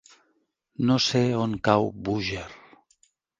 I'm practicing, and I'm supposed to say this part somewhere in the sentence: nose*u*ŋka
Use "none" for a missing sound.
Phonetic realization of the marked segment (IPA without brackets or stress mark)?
o